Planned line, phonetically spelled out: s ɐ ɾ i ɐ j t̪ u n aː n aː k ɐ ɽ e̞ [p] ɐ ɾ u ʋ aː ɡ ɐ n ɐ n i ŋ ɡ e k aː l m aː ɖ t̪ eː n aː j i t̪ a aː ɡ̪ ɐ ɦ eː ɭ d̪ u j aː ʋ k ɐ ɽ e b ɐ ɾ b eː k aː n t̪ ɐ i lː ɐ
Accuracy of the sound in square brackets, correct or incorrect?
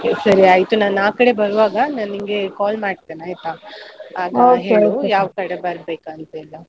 incorrect